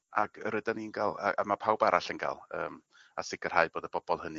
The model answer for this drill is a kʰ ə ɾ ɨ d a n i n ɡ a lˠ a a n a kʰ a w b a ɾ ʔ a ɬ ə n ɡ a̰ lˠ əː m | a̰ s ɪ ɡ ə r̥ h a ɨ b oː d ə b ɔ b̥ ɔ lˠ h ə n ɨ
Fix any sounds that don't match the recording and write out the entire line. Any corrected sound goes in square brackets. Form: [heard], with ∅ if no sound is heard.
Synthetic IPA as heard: a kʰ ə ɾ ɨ d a n i n ɡ a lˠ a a [m] a [pʰ] a w b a ɾ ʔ a ɬ ə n ɡ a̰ lˠ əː m | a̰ s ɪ ɡ ə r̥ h a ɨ b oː d ə b ɔ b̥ ɔ lˠ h ə n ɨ